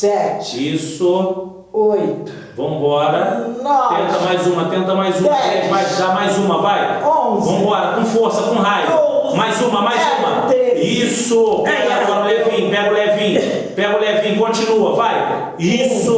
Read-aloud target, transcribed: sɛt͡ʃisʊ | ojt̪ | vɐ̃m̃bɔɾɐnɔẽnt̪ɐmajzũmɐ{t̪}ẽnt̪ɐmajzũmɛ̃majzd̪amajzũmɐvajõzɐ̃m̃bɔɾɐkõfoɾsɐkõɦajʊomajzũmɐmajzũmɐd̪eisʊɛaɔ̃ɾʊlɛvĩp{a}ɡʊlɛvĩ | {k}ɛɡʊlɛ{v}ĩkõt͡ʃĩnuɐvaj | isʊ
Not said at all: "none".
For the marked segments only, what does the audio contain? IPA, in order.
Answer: t̪, ɛ, p, v

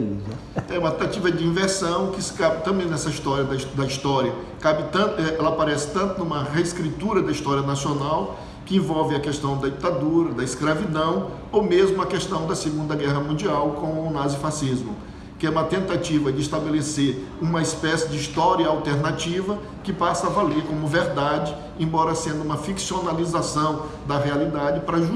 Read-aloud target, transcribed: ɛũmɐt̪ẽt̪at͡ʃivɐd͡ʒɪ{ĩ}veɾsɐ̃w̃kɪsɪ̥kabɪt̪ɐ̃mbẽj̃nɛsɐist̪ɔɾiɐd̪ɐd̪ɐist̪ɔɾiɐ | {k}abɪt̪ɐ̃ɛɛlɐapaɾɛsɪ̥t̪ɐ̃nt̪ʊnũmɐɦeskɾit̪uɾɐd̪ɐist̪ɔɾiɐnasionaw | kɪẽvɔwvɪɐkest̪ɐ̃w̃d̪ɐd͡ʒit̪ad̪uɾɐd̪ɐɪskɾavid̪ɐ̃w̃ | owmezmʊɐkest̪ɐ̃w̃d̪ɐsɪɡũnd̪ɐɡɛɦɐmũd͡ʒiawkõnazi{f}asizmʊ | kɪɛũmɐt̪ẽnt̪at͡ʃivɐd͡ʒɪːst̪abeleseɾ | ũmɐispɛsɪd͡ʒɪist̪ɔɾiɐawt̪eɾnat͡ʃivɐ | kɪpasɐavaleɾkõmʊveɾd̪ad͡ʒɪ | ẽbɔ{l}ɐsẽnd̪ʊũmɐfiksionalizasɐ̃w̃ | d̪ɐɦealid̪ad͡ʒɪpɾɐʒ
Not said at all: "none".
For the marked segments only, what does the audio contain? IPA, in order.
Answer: ĩ, k, f, ɾ

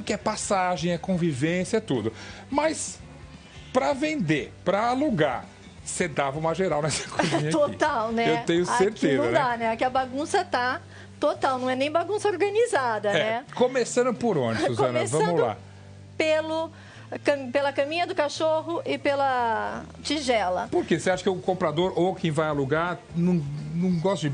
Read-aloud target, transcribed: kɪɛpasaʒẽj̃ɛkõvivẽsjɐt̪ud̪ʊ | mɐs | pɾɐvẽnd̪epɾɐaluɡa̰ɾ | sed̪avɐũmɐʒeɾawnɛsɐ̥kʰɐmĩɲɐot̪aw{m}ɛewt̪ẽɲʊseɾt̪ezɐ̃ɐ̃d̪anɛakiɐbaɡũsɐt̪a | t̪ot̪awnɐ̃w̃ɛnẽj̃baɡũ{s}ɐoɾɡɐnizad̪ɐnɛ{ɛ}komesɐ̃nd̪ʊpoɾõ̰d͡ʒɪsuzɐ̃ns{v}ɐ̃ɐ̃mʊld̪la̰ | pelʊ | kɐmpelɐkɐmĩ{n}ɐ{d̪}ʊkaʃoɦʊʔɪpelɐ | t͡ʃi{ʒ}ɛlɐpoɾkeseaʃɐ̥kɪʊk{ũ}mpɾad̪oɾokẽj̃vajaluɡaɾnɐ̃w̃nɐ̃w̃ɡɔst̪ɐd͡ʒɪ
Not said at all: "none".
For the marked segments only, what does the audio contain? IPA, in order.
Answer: n, s, ɛ, v, ɲ, d̪, ʒ, õ

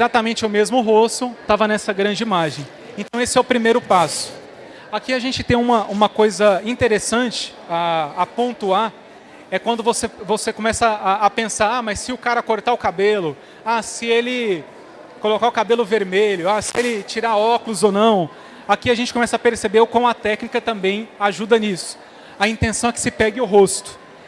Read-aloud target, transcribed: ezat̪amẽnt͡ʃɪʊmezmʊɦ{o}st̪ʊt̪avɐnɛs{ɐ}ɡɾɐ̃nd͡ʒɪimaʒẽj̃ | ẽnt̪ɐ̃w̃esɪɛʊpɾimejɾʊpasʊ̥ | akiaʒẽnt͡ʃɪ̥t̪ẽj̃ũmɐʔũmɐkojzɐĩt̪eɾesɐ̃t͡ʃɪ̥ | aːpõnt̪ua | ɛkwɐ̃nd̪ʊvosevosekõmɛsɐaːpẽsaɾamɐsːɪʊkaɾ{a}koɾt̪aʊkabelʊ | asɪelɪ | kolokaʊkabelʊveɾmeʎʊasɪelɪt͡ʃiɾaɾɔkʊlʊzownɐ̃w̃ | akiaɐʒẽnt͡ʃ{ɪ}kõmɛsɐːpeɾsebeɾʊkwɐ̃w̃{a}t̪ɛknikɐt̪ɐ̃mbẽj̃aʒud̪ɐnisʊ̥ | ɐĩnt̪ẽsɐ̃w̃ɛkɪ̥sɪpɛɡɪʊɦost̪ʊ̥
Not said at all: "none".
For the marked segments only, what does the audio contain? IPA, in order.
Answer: o, ɐ, ɐ, ɪ, ɐ

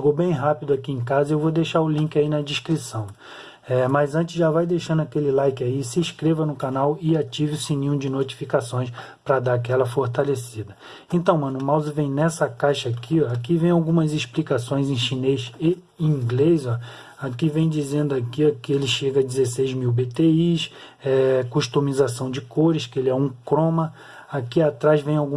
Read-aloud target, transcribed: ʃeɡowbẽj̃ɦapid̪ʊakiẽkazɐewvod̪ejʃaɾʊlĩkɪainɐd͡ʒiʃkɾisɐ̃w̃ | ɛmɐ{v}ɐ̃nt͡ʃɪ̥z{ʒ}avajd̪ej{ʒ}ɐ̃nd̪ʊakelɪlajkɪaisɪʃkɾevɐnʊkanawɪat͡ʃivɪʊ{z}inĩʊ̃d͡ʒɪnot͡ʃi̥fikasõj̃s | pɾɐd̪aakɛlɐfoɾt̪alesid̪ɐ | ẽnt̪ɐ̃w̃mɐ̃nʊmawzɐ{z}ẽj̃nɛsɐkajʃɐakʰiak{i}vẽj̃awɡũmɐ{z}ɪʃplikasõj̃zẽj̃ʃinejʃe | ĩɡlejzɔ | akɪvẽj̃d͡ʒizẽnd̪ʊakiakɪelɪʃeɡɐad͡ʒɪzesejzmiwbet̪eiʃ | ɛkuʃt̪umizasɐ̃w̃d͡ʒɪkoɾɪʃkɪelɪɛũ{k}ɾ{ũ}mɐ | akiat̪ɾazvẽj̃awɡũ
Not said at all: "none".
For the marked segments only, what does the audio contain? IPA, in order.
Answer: z, ʒ, ʃ, s, v, i, z, k, õ

